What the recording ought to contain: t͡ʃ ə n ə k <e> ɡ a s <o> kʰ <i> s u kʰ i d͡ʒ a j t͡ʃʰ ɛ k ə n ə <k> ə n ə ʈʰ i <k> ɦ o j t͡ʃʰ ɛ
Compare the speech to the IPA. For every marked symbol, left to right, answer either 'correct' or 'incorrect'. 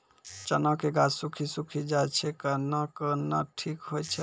correct, incorrect, correct, correct, correct

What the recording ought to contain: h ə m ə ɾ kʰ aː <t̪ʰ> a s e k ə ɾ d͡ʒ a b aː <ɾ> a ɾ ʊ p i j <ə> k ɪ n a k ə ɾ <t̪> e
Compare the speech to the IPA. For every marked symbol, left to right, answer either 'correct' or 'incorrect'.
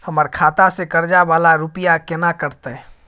incorrect, incorrect, incorrect, correct

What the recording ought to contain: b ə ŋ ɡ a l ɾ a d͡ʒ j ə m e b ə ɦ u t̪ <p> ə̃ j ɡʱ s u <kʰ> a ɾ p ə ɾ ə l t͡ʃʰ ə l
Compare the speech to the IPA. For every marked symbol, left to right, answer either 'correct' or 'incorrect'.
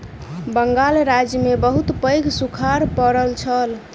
correct, correct

